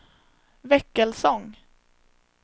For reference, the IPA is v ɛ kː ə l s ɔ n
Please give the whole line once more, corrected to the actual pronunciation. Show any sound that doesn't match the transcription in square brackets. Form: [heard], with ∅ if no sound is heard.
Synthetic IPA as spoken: v ɛ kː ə l s ɔ [ŋ]